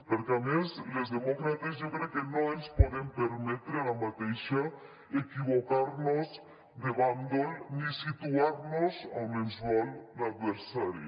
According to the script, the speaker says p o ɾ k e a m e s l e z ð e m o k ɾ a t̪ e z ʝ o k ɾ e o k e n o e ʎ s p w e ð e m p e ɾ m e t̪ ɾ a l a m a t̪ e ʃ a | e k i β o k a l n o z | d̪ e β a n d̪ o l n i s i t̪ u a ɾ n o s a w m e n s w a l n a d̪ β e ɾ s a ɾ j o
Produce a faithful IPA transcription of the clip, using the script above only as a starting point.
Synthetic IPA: p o ɾ k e a m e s l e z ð e m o k ɾ a t̪ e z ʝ o k ɾ e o k e n o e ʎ s p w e ð e m p e ɾ m e t̪ ɾ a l a m a t̪ e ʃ a | e k i β o k a ɾ n o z | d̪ e β a n d̪ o l n i s i t̪ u a ɾ n o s a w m e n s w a l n a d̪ β e ɾ s a ɾ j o